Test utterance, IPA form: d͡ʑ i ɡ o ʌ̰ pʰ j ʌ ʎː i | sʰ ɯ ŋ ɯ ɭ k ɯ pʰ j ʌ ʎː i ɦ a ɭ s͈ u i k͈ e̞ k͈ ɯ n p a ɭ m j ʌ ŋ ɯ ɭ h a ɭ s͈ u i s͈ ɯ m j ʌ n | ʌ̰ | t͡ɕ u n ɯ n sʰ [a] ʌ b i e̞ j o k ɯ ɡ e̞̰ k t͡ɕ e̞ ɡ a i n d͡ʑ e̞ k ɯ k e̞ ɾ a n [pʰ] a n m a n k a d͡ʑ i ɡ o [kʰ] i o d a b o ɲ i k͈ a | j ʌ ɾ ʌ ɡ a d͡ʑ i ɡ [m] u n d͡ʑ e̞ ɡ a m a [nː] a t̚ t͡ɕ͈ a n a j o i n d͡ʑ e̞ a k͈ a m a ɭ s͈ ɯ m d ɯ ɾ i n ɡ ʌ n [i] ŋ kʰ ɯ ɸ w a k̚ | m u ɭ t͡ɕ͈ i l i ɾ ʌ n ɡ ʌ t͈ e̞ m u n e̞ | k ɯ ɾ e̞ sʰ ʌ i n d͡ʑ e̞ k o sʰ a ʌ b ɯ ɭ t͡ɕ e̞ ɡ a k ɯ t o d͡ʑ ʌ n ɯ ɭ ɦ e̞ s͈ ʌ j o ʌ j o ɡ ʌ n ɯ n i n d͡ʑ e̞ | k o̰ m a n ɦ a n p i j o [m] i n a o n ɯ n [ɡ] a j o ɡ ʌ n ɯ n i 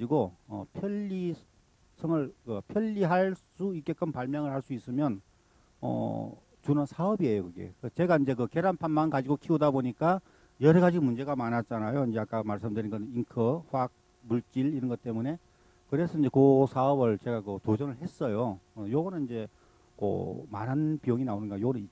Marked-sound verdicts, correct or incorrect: correct, correct, correct, correct, incorrect: n, correct, incorrect: ŋ, correct

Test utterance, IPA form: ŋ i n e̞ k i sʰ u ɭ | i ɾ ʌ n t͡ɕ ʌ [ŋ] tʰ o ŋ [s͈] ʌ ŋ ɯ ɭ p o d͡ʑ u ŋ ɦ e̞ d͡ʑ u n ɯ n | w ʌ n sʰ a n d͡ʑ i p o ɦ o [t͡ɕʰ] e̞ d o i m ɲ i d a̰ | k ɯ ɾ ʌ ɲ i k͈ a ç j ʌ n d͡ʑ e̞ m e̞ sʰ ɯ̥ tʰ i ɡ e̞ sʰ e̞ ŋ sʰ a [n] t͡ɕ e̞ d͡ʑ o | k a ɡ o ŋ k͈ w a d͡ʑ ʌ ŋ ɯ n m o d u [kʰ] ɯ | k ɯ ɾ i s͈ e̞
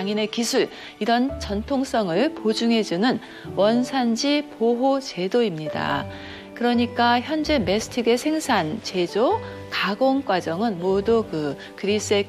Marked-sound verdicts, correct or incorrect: incorrect: n, correct, incorrect: t͡ɕ, correct, incorrect: k

